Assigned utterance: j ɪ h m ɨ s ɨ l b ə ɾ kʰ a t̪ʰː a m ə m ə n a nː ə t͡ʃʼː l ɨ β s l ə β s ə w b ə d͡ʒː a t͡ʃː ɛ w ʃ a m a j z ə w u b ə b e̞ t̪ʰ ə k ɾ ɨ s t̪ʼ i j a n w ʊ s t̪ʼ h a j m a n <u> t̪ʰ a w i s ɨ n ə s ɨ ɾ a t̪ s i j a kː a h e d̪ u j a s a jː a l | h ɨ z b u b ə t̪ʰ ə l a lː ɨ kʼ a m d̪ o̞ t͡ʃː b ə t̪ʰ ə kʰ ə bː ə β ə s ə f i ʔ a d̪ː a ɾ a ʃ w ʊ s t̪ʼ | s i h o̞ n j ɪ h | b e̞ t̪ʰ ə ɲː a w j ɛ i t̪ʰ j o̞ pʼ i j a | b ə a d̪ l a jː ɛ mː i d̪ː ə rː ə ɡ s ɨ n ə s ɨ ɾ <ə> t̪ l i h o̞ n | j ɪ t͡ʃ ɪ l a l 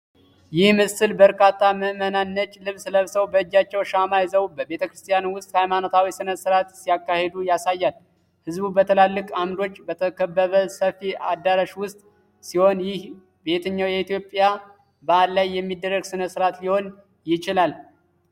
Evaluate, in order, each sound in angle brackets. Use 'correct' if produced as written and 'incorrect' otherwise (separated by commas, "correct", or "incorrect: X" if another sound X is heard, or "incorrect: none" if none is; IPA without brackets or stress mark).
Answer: incorrect: o, incorrect: a